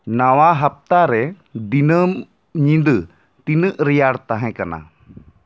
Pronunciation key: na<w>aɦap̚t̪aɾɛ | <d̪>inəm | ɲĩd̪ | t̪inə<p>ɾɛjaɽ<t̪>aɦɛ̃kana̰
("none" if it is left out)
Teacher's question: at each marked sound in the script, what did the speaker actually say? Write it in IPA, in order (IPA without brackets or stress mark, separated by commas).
w, d̪, ʔ, t̪